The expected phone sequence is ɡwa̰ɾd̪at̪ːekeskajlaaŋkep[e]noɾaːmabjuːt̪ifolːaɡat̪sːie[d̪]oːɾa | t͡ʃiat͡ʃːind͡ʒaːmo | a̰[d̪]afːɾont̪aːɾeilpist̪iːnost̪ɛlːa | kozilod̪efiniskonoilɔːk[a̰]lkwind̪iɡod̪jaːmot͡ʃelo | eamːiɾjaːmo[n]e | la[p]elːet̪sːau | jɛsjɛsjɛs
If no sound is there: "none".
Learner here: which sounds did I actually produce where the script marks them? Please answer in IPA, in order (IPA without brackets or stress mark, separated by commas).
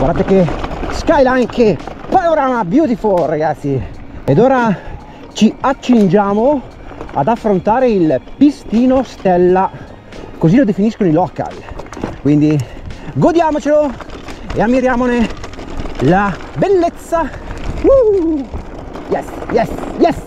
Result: a, d̪, d̪, a̰, n, b